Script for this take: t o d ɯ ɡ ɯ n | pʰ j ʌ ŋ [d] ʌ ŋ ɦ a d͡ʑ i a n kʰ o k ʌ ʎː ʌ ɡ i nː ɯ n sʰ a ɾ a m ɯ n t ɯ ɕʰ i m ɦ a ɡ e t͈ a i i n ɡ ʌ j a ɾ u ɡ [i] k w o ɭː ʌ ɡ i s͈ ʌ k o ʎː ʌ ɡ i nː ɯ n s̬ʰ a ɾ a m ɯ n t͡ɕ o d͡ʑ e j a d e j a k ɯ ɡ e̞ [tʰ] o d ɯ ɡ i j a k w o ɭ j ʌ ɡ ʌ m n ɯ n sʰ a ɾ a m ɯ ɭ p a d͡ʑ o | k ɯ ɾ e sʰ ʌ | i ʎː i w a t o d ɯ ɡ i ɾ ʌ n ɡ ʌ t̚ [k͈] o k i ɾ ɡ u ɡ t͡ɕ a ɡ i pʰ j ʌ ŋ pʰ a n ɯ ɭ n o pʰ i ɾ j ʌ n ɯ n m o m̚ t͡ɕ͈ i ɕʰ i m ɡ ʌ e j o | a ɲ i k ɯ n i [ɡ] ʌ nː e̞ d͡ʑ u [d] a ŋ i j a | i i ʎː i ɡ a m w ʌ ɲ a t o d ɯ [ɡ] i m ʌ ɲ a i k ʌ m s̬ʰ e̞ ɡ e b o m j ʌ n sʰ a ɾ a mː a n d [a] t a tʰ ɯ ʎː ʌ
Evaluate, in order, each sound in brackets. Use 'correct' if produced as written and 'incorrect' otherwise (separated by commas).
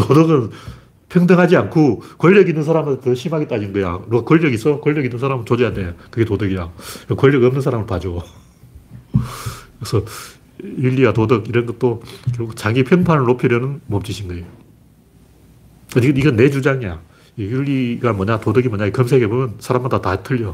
correct, incorrect, incorrect, incorrect, correct, incorrect, correct, correct